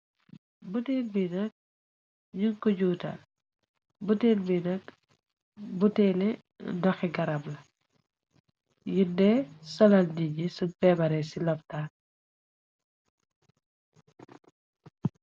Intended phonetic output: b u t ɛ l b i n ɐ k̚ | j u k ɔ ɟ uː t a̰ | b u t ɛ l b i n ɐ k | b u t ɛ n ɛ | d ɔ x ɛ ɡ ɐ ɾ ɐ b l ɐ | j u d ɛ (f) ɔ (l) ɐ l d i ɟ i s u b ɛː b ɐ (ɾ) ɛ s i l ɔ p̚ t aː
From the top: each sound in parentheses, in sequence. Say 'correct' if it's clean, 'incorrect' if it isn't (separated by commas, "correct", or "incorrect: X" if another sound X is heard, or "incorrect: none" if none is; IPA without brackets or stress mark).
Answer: incorrect: s, correct, correct